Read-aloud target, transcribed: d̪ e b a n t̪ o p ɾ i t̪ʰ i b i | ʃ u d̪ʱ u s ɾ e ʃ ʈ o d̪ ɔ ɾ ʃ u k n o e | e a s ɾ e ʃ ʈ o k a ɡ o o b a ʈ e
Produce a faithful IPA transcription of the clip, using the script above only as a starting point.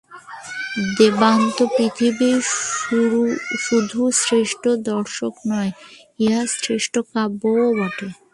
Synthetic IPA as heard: d̪ e b a n t̪ o p ɾ i t̪ʰ i b i | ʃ u d̪ʱ u s ɾ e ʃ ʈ o d̪ ɔ ɾ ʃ o k n ɔ e | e a s ɾ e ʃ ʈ o k a b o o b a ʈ e